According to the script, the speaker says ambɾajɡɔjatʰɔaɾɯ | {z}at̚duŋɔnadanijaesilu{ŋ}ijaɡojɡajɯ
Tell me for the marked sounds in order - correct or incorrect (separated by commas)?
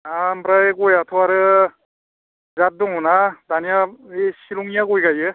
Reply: correct, correct